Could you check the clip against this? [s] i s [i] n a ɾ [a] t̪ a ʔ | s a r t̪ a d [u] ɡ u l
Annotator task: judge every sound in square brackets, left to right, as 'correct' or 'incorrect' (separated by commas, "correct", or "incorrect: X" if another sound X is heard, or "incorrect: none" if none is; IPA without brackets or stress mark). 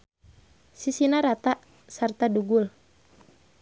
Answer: correct, correct, correct, correct